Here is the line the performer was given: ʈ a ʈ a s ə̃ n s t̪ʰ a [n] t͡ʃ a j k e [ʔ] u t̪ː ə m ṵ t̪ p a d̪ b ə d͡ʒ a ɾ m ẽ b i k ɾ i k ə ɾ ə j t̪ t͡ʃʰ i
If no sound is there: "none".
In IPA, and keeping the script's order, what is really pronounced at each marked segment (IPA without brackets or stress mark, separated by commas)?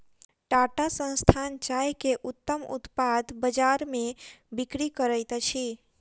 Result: n, ʔ